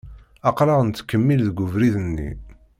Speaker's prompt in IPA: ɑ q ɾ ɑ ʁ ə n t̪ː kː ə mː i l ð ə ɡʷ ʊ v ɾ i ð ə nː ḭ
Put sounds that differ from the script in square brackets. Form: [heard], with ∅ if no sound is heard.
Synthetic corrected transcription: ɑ q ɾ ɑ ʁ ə n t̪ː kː ə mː i l ð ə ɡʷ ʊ v ɾ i ð ə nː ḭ